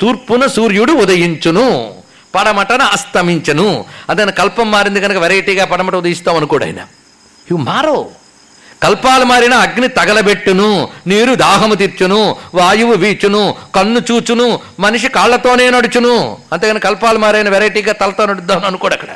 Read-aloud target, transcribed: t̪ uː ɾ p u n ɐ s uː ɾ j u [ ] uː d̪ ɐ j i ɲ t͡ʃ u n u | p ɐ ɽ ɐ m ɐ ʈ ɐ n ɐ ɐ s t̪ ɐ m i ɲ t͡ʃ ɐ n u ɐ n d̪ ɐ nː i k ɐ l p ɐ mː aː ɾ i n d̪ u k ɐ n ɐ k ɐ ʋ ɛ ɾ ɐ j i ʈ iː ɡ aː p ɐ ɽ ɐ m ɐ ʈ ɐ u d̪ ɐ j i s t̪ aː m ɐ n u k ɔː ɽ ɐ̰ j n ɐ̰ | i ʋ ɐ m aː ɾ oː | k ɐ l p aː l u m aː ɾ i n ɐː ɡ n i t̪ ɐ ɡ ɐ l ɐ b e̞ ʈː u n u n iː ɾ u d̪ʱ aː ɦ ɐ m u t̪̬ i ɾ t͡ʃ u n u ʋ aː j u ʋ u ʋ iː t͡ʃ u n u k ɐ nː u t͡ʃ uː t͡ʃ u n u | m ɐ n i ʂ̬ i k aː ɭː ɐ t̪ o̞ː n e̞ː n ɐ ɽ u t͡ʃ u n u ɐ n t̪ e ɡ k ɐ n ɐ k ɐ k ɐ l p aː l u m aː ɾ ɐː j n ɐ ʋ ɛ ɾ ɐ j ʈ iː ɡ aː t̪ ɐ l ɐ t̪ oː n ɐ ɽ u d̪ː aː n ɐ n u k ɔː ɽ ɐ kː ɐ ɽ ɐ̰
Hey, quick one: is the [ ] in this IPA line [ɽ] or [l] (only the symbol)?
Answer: ɽ